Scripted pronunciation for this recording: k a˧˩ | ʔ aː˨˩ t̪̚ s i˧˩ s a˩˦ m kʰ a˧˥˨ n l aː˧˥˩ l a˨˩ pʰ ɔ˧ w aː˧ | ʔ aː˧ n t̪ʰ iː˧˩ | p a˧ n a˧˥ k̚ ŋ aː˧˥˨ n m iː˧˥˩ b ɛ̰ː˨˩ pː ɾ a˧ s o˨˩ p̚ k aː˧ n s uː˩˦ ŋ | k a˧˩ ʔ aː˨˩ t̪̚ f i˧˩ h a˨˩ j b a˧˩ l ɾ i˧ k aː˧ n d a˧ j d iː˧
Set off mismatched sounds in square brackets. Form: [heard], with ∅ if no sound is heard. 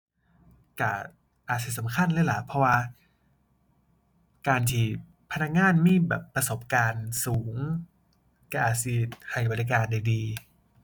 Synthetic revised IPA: k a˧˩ | ʔ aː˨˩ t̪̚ s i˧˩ s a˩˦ m kʰ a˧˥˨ n l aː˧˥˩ l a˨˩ pʰ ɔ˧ w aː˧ | [k] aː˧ n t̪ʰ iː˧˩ | [pʰ] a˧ n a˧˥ k̚ ŋ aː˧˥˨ n m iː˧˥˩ b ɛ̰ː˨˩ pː ɾ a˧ s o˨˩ p̚ k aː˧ n s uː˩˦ ŋ | k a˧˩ ʔ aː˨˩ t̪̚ [s] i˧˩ h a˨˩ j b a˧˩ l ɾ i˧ k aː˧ n d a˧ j d iː˧